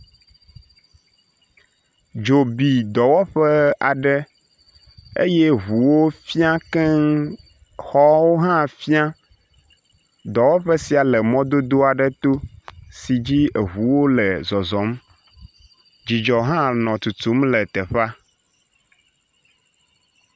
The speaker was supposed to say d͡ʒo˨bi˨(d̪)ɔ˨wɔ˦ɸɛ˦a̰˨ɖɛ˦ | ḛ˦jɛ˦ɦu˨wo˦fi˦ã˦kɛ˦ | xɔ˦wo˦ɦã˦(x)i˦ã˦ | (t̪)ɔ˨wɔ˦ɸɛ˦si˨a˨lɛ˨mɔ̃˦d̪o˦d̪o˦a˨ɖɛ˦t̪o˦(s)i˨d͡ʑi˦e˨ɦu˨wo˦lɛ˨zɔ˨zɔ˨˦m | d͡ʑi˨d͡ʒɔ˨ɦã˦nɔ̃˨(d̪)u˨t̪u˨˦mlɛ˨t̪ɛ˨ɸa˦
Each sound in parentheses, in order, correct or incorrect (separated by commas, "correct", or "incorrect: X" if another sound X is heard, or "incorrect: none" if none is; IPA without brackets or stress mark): correct, incorrect: f, incorrect: d̪, correct, incorrect: t̪